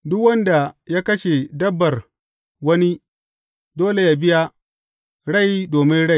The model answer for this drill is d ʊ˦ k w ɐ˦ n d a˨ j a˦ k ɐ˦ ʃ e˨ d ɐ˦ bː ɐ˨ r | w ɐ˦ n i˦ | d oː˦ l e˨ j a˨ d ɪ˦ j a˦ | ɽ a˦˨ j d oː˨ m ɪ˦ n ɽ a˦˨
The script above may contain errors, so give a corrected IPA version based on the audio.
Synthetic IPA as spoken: d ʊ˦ k w ɐ˦ n d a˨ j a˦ k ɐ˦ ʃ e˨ d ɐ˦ bː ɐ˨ r | w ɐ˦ n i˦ | d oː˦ l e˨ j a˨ b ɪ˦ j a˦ | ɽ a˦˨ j d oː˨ m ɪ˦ n ɽ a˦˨